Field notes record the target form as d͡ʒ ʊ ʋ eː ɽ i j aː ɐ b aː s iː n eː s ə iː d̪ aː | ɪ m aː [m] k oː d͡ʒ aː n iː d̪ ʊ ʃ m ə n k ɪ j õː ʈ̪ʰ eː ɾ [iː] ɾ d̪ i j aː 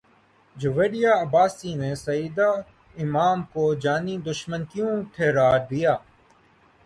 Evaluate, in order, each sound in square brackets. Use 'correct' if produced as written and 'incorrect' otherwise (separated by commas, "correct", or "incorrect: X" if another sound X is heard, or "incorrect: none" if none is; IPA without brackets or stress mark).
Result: correct, incorrect: aː